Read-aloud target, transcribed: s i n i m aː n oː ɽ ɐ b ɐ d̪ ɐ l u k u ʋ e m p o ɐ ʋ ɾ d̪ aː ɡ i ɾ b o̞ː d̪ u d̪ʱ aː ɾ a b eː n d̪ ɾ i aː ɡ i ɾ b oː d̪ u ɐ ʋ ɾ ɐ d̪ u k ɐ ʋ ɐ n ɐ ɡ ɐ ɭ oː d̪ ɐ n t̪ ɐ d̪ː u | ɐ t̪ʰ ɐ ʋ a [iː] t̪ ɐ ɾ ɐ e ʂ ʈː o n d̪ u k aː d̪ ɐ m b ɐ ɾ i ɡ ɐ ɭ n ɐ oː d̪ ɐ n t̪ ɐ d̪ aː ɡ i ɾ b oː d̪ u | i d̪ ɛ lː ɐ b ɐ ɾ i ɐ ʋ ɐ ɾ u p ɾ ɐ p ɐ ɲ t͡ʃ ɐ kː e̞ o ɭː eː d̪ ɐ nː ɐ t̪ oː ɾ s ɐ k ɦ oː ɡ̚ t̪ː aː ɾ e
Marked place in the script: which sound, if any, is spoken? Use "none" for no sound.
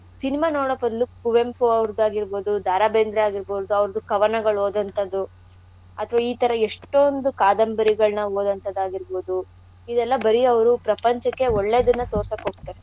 iː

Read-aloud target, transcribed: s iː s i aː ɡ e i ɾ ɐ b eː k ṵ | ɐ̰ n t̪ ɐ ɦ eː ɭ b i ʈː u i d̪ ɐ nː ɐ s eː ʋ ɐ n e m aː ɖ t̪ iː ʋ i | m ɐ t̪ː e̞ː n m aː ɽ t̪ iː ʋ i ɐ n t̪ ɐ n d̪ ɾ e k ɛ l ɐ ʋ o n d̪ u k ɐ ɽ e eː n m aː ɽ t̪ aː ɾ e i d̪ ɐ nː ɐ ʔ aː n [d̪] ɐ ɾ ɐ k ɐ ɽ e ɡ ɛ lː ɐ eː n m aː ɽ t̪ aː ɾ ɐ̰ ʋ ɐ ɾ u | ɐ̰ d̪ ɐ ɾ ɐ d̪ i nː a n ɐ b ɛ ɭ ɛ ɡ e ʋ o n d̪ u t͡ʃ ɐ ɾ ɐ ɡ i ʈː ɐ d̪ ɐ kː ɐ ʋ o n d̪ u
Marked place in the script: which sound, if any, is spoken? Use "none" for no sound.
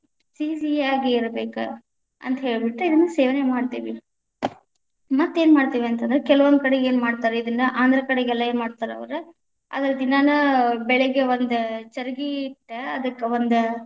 d̪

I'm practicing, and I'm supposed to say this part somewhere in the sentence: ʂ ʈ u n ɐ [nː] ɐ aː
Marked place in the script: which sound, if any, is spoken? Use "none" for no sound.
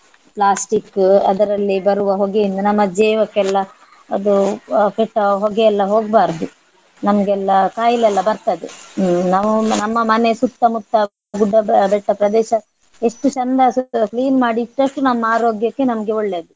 mː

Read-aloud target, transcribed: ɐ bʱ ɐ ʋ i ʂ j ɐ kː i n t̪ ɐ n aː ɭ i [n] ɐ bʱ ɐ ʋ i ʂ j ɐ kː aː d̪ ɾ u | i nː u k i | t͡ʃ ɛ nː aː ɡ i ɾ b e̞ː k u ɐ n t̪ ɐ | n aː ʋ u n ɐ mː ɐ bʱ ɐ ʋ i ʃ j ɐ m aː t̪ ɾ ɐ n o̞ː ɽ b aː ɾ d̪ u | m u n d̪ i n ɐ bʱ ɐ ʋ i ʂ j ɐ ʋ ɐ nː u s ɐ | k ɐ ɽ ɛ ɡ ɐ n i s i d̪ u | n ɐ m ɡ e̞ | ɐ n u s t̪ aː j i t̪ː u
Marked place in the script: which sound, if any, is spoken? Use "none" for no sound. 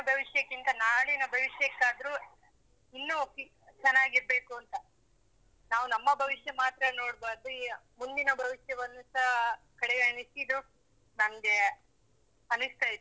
n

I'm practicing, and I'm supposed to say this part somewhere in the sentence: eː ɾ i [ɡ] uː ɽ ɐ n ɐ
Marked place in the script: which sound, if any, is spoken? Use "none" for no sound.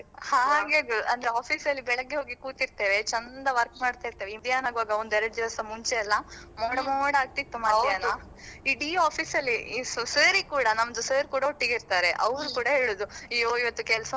k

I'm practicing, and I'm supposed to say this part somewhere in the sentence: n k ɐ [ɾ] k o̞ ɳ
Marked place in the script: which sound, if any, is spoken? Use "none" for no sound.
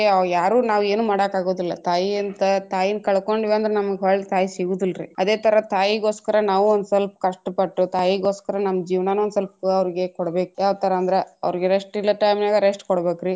ɭ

